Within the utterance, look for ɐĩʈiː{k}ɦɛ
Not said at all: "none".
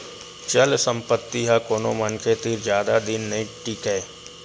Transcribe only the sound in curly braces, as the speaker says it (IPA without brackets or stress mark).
k